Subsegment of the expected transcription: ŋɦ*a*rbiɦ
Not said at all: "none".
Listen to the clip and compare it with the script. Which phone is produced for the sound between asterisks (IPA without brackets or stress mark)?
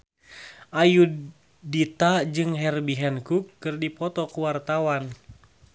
ɛ